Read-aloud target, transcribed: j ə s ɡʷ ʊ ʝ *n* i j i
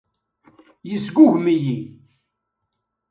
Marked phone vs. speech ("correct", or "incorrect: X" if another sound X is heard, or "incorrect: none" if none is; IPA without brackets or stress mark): incorrect: m